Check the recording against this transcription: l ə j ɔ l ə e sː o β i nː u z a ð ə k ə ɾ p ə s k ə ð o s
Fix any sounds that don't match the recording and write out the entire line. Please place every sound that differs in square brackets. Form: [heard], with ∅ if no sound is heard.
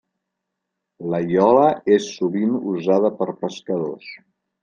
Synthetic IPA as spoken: l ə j ɔ l ə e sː [u] β i [n] u z a ð ə [p] ə ɾ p ə s k ə ð o s